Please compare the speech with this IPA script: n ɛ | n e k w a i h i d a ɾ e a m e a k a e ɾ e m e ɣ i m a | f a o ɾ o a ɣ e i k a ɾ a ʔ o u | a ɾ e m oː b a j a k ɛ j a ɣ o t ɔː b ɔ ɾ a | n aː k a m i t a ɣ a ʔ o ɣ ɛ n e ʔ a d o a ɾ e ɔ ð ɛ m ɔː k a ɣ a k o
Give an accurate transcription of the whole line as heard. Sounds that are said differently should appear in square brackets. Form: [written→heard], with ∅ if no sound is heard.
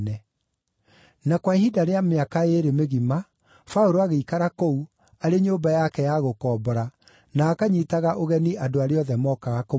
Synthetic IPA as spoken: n ɛ | n [e→a] k w a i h i d a ɾ e a m e a k a e ɾ e m e ɣ i m a | f a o ɾ o a ɣ e i k a ɾ a [ʔ→k] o u | a ɾ e [m→ɲ] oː b a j a k ɛ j a ɣ o [t→k] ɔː b ɔ ɾ a | n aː k a [m→ɲ] i t a ɣ a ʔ o ɣ ɛ n [e→i] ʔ a d o a ɾ e ɔ ð ɛ m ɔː k a ɣ a k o